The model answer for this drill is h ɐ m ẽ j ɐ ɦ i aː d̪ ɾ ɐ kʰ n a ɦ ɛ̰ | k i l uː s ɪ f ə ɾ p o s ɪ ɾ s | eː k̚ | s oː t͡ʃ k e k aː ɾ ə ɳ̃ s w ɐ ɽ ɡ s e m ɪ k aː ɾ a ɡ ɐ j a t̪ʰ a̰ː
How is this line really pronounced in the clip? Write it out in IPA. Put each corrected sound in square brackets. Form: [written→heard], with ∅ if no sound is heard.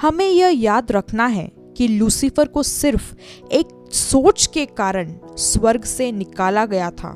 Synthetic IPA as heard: h ɐ m ẽ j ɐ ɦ [i→j] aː d̪ ɾ ɐ kʰ n a ɦ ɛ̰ | k i l uː s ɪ f ə ɾ [p→k] o s ɪ ɾ [s→f] | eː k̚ | s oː t͡ʃ k e k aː ɾ ə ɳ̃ s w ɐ [ɽ→ɾ] ɡ s e [m→n] ɪ k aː [ɾ→l] a ɡ ɐ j a t̪ʰ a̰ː